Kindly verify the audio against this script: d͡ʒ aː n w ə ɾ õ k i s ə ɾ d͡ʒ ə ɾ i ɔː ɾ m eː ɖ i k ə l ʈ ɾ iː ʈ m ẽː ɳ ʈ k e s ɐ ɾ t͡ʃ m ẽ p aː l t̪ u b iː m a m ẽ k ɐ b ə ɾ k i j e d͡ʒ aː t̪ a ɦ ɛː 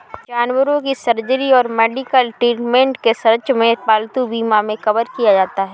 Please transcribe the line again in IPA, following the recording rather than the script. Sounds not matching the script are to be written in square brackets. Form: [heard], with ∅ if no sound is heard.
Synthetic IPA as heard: d͡ʒ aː n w ə ɾ õ k i s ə ɾ d͡ʒ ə ɾ i ɔː ɾ m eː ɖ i k ə l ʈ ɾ iː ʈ m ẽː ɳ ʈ k e s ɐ ɾ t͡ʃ m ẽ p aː l t̪ u b iː m a m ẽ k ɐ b ə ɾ k i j [a] d͡ʒ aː t̪ a ɦ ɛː